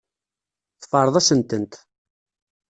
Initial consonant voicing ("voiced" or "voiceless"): voiceless